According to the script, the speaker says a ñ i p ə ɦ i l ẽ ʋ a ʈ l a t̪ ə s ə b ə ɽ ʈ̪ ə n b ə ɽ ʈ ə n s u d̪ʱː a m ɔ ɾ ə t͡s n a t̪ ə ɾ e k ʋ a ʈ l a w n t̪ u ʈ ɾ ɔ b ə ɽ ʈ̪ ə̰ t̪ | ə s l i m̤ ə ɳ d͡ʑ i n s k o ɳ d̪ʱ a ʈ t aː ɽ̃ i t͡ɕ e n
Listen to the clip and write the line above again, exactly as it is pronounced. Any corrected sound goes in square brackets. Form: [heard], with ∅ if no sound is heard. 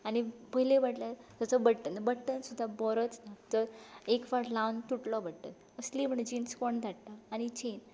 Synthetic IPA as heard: a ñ i p ə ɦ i l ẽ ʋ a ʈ l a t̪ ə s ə b ə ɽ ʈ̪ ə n b ə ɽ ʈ ə n s u d̪ʱː a [b] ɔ ɾ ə t͡s n a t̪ ə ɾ e k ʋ a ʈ l a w n t̪ u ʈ [l] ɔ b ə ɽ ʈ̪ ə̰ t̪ | ə s l i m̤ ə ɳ d͡ʑ i n s k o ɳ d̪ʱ a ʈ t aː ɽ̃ i t͡ɕ e n